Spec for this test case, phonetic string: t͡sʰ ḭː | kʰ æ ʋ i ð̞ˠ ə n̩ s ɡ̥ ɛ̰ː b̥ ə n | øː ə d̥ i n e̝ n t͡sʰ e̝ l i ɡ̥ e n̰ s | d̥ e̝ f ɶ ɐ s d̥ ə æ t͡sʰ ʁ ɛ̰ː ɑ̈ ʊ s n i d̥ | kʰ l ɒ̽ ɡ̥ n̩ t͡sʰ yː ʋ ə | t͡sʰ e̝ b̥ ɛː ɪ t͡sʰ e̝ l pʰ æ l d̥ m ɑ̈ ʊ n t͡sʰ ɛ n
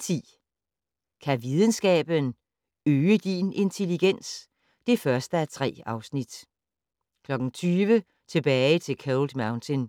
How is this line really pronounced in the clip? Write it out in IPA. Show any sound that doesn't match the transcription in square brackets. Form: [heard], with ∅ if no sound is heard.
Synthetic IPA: t͡sʰ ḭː | kʰ æ ʋ i ð̞ˠ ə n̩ s ɡ̥ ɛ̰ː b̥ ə n | øː ə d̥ i n e̝ n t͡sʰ e̝ l i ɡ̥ e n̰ s | d̥ e̝ f ɶ ɐ s d̥ ə æ t͡sʰ ʁ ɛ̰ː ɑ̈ ʊ s n i d̥ | kʰ l ɒ̽ ɡ̥ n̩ t͡sʰ yː ʋ ə | t͡sʰ e̝ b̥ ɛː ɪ t͡sʰ e̝ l [kʰ] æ l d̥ m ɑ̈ ʊ n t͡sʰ [e] n